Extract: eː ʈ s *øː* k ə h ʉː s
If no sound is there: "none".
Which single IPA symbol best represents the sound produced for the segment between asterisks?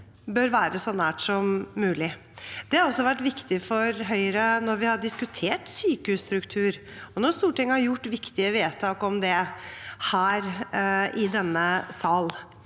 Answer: yː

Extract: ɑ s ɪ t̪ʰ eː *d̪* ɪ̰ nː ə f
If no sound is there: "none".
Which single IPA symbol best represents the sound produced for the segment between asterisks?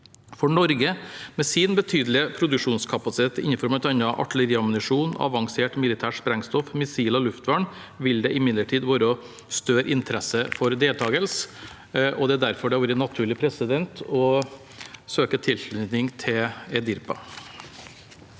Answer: t̪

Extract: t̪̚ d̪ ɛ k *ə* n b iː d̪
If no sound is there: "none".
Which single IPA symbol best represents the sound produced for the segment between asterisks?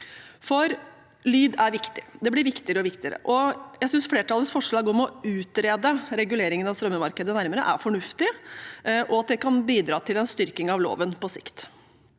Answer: ɑ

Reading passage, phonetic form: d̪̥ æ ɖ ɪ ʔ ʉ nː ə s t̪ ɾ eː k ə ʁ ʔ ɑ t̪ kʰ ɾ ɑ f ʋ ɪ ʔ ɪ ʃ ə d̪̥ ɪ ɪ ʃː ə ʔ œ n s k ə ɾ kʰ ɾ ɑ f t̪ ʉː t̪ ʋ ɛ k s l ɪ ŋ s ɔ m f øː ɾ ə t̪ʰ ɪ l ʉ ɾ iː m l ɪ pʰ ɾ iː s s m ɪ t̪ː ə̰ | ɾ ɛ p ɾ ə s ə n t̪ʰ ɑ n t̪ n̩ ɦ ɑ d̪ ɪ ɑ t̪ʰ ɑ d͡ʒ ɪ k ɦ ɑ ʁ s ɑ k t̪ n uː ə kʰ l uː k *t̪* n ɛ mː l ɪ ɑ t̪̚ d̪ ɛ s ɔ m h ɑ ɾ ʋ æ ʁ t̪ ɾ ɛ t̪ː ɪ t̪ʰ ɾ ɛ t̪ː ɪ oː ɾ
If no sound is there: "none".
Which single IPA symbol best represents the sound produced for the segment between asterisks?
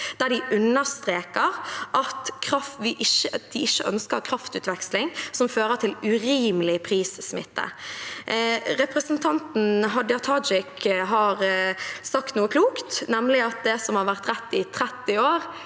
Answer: t̪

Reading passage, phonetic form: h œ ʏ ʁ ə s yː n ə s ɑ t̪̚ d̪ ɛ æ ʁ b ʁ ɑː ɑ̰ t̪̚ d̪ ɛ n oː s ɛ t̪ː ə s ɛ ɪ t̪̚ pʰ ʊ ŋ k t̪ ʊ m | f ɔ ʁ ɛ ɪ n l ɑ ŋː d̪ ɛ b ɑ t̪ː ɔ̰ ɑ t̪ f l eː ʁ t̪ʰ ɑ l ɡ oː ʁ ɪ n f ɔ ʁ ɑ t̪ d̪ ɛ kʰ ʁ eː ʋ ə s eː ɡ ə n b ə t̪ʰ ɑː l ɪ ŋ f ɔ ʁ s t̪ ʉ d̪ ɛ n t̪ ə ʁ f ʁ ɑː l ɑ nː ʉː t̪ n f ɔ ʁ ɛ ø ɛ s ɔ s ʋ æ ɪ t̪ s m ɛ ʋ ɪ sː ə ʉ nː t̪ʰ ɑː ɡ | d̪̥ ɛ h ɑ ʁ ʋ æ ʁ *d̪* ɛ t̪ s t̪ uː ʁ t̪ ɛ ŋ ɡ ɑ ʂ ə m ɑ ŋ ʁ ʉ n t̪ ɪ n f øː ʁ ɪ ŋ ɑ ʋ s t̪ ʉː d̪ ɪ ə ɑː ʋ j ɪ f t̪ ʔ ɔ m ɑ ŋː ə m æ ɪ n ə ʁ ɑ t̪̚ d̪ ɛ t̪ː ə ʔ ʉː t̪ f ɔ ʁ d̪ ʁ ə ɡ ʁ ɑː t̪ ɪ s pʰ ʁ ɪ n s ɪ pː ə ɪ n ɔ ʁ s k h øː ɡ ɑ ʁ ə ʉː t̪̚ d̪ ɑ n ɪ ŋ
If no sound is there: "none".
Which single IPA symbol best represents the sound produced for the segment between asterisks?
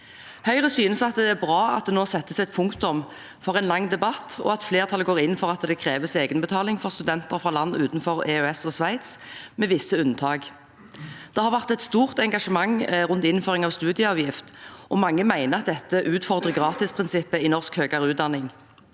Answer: t̪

